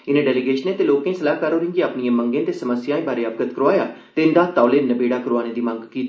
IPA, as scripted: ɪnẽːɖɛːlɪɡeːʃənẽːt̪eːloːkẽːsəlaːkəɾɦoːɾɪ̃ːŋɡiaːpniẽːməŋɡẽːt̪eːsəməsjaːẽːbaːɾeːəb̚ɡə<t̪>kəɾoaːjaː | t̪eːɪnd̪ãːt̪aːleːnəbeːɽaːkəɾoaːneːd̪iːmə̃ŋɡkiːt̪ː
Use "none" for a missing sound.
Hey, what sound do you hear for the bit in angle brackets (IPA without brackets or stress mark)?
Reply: t̪